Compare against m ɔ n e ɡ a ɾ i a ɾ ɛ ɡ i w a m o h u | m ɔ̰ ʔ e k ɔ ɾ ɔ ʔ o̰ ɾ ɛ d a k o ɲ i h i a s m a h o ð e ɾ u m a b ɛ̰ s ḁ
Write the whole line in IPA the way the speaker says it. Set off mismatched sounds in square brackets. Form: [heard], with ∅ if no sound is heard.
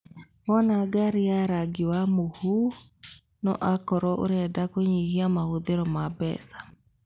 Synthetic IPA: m ɔ n [a] ɡ a ɾ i a ɾ [a] ɡ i w a m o h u | [n] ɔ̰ ʔ [a] k ɔ ɾ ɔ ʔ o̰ ɾ ɛ d a k o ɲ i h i a [∅] m a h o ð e ɾ [ɔ] m a b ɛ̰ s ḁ